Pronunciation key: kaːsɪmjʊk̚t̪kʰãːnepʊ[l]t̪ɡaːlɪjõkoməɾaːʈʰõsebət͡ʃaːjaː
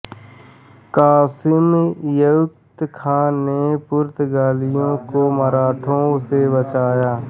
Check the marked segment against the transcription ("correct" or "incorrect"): incorrect